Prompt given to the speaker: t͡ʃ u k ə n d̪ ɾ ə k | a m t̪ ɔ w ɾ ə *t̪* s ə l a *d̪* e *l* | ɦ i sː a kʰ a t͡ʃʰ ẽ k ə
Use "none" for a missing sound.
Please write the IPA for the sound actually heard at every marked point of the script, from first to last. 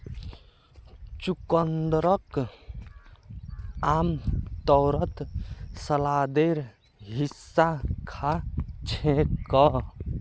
t̪, d̪, ɾ

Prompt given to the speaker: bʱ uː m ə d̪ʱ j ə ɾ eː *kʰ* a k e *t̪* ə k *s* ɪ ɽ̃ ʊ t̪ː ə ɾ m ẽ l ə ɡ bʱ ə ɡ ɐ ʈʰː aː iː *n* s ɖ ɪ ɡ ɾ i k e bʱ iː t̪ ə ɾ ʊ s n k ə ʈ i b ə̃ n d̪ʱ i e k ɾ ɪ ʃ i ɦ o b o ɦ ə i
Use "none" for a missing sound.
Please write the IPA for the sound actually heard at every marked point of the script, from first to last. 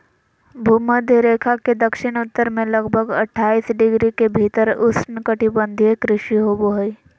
kʰ, d̪, ʃ, none

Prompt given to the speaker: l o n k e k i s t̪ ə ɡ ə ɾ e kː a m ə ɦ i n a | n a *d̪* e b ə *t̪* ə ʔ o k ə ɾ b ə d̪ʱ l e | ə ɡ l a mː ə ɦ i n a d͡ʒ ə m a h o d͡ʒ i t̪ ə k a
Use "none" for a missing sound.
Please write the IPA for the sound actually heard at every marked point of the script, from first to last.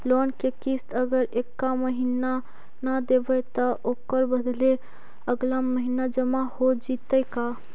d̪, t̪

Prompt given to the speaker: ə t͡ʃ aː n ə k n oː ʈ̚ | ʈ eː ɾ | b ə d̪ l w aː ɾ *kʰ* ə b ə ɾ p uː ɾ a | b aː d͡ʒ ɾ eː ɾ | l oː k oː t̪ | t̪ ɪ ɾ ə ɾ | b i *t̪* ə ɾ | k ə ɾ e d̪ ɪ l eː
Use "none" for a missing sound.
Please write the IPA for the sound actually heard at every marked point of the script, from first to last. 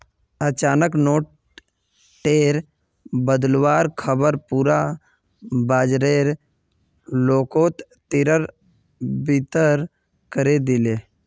kʰ, t̪

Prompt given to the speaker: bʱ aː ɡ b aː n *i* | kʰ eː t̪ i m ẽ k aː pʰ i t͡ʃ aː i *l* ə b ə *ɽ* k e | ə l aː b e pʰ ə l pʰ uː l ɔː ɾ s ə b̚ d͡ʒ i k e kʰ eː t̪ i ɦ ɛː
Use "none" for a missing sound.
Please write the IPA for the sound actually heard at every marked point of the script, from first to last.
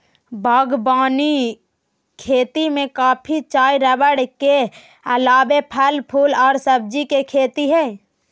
i, ɾ, ɽ

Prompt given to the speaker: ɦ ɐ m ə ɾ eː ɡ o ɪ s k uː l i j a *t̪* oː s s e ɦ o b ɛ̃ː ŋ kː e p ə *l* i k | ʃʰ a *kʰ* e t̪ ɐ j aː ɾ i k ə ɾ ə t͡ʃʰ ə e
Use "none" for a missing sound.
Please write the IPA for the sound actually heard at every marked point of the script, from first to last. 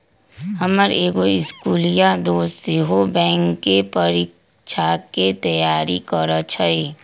d̪, ɾ, k

